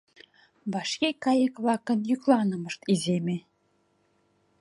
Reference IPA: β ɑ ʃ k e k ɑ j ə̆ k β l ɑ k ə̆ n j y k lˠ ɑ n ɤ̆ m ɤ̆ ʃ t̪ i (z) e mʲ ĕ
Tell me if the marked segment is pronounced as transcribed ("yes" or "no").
yes